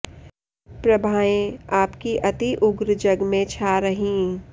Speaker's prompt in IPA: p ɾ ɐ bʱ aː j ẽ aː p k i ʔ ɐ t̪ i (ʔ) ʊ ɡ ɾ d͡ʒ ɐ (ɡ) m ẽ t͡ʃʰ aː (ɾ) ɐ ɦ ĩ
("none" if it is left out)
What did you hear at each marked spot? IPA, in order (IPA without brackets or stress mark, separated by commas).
ʔ, ɡ, ɾ